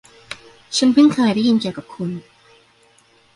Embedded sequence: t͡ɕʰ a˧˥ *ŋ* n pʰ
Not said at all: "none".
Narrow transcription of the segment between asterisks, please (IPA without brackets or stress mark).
none